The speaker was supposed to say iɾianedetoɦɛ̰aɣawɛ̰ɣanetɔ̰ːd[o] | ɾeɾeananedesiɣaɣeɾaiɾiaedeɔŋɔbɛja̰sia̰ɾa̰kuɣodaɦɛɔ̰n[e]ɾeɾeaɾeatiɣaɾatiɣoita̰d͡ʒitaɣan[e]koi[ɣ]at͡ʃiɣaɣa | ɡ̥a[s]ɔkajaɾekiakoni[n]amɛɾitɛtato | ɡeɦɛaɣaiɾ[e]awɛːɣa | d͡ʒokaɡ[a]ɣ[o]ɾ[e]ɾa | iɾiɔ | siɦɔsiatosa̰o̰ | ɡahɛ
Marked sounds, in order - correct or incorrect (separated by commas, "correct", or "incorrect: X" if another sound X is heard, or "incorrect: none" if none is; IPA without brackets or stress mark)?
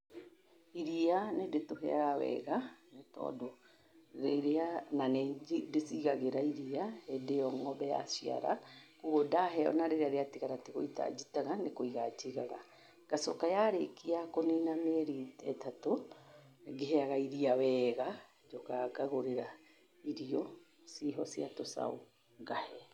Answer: correct, incorrect: a, correct, correct, correct, correct, incorrect: i, correct, correct, correct